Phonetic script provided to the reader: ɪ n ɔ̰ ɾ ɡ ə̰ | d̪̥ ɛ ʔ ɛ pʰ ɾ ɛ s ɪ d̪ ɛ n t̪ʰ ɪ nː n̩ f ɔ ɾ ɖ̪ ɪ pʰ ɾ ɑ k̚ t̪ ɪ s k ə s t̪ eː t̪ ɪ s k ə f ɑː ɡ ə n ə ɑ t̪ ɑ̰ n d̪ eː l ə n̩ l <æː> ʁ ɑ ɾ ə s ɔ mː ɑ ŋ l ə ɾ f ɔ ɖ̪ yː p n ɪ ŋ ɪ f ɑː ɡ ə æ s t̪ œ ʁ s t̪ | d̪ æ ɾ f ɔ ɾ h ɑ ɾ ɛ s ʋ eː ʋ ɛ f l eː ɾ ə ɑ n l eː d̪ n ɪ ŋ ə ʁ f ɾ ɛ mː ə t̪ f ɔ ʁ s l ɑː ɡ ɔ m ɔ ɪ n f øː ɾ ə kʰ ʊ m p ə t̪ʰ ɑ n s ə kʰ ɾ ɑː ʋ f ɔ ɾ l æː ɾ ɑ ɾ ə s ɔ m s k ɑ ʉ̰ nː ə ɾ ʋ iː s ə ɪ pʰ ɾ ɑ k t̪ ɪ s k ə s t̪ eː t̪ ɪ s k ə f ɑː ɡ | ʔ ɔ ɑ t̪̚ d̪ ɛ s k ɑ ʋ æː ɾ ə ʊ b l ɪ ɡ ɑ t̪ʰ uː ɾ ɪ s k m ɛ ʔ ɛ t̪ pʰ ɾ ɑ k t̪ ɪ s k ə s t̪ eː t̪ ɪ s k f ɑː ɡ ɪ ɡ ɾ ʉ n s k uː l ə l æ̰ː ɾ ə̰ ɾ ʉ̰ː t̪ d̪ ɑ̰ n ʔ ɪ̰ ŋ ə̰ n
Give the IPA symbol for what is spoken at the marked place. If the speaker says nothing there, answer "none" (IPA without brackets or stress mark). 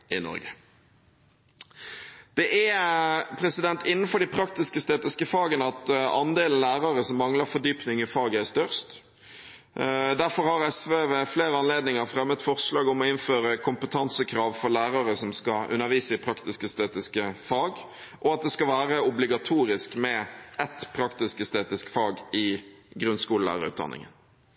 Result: æː